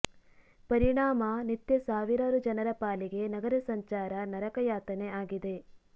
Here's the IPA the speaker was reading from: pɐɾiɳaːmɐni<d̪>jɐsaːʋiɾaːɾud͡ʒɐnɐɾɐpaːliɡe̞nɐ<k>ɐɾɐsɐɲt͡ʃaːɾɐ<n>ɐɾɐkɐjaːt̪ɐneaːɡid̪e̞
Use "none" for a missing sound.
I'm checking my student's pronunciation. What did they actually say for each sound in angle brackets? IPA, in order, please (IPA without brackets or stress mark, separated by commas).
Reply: t̪, ɡ, n